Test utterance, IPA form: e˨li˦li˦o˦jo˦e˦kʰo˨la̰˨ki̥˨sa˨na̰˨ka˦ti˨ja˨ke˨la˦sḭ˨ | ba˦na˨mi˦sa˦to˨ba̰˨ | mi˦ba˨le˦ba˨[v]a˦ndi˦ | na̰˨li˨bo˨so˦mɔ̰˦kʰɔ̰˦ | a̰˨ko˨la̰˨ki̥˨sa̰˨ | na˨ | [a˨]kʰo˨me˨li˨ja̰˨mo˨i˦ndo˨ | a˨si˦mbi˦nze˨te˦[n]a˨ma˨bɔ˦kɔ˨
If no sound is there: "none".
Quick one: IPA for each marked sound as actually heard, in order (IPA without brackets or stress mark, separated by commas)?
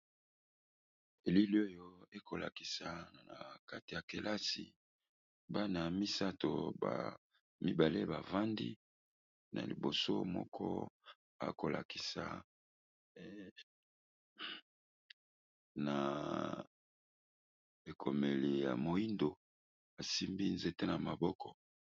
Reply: v, e˨, n